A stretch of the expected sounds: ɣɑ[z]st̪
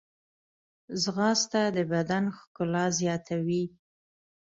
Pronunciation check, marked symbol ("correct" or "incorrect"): incorrect